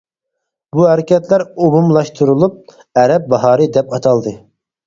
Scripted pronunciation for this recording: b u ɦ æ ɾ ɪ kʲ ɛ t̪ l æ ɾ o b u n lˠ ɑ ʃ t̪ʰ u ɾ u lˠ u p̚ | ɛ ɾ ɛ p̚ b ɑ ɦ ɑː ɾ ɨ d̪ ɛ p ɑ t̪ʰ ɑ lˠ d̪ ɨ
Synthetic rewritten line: b u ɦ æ ɾ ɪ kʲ ɛ t̪ l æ ɾ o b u m lˠ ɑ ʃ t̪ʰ u ɾ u lˠ u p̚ | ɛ ɾ ɛ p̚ b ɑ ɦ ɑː ɾ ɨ d̪ ɛ p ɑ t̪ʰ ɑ lˠ d̪ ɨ